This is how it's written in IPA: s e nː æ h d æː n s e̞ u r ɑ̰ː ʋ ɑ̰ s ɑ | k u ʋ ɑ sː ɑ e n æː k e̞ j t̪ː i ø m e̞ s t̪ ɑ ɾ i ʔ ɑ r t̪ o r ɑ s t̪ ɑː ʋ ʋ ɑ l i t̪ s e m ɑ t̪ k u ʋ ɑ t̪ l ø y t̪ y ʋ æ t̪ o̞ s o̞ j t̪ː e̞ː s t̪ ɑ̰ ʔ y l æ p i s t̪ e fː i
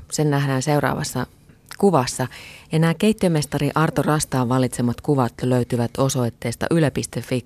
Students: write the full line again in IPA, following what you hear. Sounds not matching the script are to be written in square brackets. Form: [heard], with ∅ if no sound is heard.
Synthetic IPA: s e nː æ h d æː n s e̞ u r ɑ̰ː ʋ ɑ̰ [sː] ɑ | k u ʋ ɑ sː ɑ e n æː k e̞ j t̪ː i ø m e̞ s t̪ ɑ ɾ i ʔ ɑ r t̪ o r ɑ s t̪ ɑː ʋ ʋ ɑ l i t̪ s e m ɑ t̪ k u ʋ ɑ t̪ l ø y t̪ y ʋ æ t̪ o̞ s o̞ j t̪ː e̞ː s t̪ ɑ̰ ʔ y l æ p i s t̪ e fː i